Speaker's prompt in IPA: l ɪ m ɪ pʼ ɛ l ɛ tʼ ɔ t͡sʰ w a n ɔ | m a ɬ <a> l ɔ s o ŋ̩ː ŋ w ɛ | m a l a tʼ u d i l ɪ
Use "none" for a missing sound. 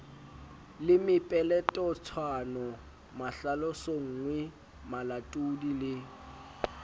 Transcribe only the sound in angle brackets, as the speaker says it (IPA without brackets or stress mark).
a